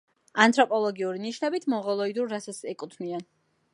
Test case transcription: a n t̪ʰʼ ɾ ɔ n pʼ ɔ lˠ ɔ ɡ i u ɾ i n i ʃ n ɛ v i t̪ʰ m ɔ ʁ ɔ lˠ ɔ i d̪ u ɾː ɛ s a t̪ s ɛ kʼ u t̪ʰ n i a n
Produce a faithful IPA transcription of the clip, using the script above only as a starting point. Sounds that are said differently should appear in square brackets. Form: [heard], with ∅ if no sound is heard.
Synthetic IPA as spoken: a n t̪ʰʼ ɾ ɔ [∅] pʼ ɔ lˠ ɔ ɡ i u ɾ i n i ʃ n ɛ [b] i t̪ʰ m ɔ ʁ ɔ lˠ ɔ i d̪ u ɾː [a] s a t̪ s ɛ kʼ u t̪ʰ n i a n